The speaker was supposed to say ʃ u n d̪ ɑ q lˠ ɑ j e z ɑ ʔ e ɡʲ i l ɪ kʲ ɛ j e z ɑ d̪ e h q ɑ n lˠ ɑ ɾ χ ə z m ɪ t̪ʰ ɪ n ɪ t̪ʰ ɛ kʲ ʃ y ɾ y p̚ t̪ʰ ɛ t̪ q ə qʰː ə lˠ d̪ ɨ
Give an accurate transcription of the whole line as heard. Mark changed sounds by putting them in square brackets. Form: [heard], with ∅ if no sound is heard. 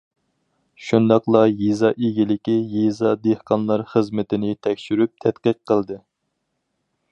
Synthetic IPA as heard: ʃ u n d̪ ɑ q lˠ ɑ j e z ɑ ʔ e ɡʲ i l ɪ kʲ [i] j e z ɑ d̪ e h q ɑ n lˠ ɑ ɾ χ ə z m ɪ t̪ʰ ɪ n ɪ t̪ʰ ɛ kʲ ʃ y ɾ y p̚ t̪ʰ ɛ t̪ q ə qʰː ə lˠ d̪ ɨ